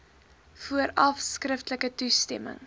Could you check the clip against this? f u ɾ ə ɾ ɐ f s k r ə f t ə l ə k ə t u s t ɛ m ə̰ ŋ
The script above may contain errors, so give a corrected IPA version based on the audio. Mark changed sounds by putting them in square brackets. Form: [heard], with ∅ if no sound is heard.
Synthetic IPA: f u [∅] ə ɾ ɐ f s k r ə f t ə l ə k ə t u s t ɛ m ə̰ ŋ